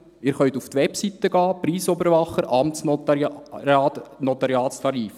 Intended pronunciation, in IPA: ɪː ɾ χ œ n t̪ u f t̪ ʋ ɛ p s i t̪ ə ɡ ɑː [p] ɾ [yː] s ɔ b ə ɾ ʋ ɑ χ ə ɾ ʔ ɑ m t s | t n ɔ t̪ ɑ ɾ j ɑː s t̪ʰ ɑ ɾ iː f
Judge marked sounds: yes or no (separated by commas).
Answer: yes, no